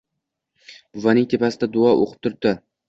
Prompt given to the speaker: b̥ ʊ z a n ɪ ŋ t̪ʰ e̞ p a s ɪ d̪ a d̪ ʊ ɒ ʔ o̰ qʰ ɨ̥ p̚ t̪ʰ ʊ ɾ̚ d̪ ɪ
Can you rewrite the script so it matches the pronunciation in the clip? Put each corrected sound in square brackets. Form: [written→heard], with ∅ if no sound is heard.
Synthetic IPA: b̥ ʊ [z→v] a n ɪ ŋ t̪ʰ e̞ p a s ɪ d̪ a d̪ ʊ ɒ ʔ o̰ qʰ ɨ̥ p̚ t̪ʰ ʊ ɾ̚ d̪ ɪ